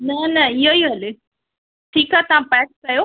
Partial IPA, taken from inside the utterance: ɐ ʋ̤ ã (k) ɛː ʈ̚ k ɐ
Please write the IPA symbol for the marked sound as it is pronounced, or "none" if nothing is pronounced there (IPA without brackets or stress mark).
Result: p